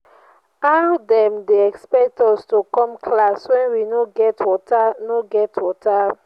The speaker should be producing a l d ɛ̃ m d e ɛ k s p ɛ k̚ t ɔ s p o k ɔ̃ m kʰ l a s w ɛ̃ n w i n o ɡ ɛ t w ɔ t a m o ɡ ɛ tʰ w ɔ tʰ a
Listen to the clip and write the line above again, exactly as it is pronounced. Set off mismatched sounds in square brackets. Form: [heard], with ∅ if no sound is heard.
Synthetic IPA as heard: a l d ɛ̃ m d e ɛ k s p ɛ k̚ t ɔ s [t] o k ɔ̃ m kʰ l a s w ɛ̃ n w i n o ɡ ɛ t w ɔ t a [n] o ɡ ɛ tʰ w ɔ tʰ a